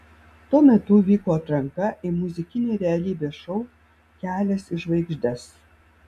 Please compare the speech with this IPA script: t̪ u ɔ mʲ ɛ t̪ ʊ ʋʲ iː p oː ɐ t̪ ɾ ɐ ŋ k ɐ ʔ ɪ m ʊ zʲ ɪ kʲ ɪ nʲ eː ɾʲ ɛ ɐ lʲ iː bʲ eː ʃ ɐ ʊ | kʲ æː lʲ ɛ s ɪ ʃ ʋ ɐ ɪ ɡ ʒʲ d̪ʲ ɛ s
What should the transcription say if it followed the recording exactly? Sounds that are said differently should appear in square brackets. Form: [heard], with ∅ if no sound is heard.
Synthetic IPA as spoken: t̪ u ɔ mʲ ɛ t̪ ʊ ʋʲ iː [k] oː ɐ t̪ ɾ ɐ ŋ k ɐ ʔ ɪ m ʊ zʲ ɪ kʲ ɪ nʲ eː ɾʲ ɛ ɐ lʲ iː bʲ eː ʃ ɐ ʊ | kʲ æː lʲ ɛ s ɪ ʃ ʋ ɐ ɪ ɡ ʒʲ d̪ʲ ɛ s